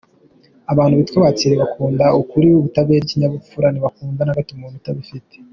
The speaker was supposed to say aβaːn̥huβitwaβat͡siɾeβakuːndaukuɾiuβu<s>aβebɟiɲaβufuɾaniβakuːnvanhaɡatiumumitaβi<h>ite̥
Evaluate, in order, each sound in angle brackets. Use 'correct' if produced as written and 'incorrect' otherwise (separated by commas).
incorrect, incorrect